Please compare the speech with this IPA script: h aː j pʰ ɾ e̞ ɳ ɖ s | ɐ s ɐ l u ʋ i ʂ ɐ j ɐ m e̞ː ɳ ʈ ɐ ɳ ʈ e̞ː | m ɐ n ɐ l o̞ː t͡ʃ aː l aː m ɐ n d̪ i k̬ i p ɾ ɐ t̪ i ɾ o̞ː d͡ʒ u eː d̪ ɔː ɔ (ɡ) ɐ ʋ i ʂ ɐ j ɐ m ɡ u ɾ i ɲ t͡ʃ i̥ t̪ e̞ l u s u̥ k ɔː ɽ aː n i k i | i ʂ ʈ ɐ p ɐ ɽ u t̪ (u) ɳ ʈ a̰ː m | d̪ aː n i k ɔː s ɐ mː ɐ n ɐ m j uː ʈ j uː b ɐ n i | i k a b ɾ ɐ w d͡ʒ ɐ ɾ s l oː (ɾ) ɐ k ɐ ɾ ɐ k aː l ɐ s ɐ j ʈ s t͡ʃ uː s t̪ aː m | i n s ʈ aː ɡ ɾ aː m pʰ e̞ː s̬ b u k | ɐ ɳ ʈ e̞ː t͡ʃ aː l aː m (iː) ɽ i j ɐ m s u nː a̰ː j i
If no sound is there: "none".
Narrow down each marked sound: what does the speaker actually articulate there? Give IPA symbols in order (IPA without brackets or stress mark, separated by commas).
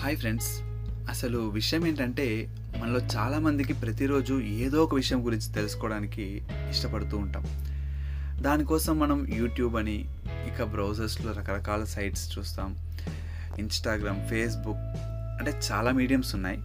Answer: k, uː, ɾ, iː